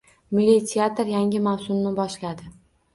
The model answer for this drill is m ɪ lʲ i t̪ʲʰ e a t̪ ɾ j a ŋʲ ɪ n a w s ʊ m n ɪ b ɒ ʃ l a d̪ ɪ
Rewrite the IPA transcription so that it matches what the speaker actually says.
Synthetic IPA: m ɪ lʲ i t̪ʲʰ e a t̪ ɾ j a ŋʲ ɪ m a w s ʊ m n ɪ b ɒ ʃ l a d̪ ɪ